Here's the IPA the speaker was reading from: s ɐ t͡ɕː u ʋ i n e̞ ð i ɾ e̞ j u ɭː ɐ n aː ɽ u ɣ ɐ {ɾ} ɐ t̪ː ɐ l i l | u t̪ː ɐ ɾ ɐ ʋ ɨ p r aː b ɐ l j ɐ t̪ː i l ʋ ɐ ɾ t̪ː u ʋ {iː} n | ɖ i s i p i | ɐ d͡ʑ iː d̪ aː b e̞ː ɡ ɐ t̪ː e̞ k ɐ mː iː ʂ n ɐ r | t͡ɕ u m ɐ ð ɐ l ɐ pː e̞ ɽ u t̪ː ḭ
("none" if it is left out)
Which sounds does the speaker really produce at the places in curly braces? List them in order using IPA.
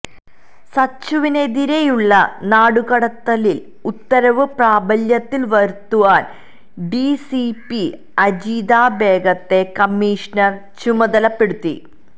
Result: ɽ, aː

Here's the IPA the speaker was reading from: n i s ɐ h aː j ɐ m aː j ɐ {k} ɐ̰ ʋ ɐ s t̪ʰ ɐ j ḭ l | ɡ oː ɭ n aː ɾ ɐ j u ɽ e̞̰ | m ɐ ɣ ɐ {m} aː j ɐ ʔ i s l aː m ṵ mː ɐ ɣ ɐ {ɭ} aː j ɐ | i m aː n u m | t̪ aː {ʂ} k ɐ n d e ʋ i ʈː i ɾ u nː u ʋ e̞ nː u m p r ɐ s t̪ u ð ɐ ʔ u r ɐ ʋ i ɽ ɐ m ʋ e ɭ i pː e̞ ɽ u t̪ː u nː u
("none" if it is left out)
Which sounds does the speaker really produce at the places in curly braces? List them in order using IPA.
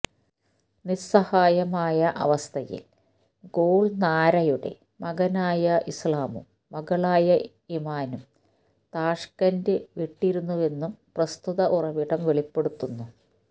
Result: ʔ, n, ɭ, ʂ

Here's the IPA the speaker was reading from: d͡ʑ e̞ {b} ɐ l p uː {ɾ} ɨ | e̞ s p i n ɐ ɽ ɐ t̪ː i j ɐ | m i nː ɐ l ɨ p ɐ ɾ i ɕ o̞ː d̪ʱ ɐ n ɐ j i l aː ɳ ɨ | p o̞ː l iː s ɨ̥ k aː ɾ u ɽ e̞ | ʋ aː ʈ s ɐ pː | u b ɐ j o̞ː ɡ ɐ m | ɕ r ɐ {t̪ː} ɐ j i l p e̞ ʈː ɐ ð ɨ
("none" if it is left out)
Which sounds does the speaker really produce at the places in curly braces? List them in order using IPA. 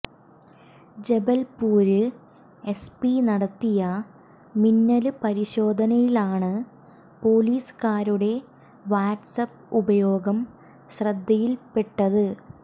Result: b, ɾ, d̪ː

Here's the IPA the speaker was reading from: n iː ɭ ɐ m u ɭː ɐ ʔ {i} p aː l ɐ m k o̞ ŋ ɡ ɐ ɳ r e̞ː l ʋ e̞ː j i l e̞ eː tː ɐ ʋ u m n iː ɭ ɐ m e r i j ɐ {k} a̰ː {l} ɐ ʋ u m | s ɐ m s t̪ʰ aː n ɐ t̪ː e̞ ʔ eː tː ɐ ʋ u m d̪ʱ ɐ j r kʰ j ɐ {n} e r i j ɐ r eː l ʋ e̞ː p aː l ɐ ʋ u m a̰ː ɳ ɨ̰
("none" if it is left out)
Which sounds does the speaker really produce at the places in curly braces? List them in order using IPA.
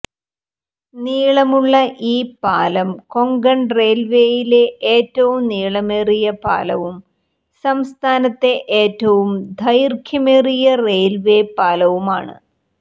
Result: iː, p, l, m

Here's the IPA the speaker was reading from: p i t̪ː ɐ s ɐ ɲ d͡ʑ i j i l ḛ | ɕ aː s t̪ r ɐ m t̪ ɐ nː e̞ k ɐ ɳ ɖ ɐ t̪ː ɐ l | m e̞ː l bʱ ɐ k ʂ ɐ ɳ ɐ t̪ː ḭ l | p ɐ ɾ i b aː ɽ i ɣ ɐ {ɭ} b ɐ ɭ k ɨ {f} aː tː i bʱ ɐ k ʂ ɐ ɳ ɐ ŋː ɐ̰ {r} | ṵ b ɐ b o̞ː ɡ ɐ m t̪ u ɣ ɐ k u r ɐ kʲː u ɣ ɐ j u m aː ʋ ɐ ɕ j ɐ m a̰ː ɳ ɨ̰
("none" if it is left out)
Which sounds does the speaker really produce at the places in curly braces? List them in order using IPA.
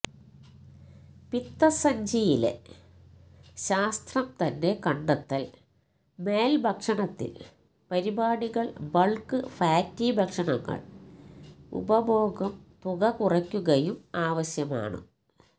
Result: ɭ, f, ɭ

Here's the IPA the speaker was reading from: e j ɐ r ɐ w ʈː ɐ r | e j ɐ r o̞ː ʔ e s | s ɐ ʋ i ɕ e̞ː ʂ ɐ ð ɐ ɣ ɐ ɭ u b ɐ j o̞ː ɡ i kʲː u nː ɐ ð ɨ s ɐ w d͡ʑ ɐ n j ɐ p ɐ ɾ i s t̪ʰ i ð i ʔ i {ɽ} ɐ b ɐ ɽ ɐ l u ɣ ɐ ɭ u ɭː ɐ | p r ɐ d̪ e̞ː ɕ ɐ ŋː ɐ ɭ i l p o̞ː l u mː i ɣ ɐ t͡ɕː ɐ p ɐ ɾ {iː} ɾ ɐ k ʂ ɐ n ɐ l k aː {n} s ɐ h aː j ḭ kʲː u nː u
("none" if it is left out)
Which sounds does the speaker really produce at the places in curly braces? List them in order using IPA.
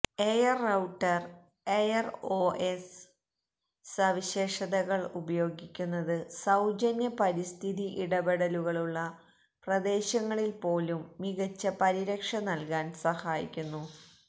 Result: ɽ, i, n

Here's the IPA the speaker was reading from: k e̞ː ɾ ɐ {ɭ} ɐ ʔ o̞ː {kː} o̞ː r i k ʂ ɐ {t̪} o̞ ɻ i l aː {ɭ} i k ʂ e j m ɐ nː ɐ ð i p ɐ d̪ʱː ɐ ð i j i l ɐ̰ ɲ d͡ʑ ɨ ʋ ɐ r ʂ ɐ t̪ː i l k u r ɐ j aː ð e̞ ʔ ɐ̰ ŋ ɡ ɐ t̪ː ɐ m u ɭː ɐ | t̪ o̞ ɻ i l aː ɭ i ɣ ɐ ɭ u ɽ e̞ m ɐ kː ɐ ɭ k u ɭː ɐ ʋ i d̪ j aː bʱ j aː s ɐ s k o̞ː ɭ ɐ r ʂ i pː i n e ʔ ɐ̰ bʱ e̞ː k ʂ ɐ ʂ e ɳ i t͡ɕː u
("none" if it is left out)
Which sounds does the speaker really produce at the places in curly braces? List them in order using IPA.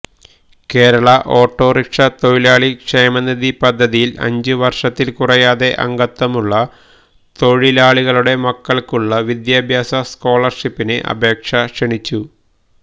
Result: ɭ, ʈː, t̪, ɭ

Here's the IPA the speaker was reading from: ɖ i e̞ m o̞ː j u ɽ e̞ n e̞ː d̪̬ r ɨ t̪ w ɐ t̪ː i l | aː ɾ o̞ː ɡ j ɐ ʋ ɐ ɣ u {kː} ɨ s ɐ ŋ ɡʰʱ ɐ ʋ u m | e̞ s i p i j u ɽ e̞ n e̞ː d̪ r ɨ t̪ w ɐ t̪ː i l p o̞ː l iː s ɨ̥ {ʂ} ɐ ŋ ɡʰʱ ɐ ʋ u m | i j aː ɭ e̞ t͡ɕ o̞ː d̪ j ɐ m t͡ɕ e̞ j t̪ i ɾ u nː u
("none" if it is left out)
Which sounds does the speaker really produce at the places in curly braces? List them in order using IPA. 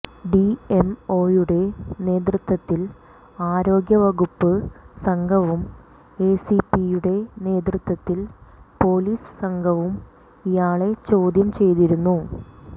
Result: pː, s

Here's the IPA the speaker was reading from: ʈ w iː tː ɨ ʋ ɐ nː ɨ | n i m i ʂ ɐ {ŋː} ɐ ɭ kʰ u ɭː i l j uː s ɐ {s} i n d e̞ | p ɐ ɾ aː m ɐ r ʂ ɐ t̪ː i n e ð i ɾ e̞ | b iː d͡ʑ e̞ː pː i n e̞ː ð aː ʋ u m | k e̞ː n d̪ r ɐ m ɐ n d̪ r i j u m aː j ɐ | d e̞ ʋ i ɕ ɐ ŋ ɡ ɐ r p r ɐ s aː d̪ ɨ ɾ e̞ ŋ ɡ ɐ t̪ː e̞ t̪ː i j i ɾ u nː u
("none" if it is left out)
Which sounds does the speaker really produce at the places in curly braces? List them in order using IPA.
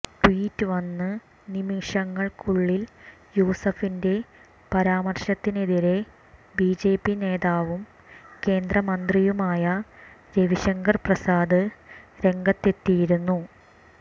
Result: ŋː, f

